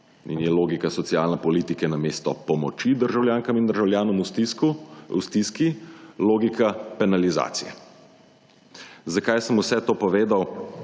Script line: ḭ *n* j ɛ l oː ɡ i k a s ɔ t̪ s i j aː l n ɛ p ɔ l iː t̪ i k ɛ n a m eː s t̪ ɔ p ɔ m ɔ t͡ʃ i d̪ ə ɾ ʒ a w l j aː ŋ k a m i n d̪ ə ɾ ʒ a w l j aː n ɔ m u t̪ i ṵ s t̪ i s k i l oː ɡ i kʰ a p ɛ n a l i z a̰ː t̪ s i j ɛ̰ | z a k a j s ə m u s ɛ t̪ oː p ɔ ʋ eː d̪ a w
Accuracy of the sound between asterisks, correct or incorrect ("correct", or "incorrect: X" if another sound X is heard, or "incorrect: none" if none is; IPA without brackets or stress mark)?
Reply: correct